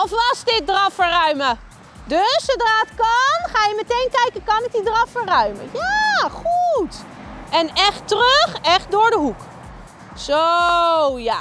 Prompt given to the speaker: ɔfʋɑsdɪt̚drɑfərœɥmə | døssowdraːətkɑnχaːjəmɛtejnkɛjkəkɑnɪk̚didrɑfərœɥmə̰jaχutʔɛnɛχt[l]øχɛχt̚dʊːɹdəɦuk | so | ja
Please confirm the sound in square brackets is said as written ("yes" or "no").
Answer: no